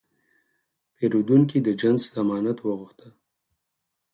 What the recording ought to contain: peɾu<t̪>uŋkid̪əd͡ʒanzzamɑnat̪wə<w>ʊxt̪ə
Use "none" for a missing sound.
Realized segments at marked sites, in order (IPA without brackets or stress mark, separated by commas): d̪, ɣ